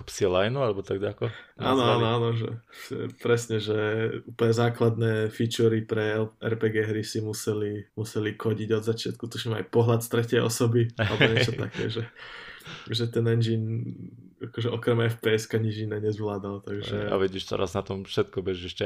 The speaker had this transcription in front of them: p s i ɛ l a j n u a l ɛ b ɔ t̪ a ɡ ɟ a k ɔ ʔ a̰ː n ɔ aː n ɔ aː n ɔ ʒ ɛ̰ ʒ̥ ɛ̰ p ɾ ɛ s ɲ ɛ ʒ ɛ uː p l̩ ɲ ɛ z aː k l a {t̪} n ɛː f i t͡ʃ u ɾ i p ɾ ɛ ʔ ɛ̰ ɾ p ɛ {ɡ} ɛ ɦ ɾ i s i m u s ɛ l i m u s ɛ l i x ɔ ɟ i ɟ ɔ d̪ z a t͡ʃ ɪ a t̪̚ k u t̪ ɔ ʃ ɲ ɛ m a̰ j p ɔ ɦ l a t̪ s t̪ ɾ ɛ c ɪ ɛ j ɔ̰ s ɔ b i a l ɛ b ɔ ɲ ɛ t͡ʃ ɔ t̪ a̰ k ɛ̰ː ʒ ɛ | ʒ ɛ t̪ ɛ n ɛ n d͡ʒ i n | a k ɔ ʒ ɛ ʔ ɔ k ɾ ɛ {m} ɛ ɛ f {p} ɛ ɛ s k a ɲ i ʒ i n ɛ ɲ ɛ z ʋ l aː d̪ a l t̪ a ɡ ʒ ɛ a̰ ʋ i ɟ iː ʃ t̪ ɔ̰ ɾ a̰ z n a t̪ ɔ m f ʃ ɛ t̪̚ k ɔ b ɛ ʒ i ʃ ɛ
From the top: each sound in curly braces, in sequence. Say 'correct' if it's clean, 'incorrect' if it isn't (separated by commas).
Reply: incorrect, correct, correct, correct